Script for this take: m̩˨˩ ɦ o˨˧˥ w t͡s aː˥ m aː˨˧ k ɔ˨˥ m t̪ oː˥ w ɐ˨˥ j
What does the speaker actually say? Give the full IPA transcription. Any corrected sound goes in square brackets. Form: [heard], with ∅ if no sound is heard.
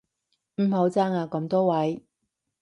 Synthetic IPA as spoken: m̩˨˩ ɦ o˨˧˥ w t͡s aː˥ [ŋ] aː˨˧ k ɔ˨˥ m t̪ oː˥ w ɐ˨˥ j